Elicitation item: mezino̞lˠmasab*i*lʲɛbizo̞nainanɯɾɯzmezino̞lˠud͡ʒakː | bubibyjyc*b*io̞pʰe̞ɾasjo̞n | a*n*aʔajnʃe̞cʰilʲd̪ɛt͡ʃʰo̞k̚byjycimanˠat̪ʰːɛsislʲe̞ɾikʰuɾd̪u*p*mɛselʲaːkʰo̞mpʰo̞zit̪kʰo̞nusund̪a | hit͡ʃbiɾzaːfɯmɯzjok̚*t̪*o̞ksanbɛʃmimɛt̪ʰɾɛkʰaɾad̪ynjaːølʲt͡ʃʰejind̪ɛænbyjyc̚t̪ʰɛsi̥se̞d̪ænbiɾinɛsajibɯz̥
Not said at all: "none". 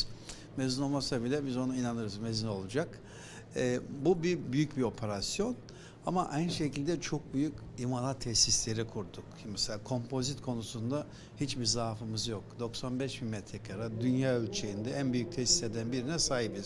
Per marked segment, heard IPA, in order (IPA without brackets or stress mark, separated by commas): i, b, m, k, d̪